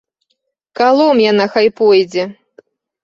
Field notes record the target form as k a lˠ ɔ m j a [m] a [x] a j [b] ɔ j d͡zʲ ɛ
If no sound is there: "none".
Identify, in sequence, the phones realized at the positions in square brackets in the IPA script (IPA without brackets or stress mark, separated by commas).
n, x, p